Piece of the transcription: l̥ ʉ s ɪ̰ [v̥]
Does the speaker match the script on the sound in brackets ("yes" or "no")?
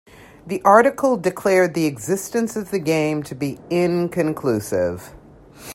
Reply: yes